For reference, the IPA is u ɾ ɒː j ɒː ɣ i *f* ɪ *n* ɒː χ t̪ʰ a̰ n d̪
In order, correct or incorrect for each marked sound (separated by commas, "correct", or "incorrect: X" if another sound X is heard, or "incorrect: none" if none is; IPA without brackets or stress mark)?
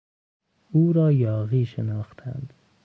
incorrect: ʃ, correct